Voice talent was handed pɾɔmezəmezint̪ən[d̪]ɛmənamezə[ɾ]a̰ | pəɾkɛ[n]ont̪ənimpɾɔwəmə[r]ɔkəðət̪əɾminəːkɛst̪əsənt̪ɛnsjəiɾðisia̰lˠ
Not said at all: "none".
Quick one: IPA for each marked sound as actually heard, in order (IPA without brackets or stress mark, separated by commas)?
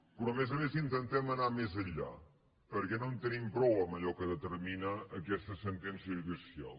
t̪, ʎ, n, ʎ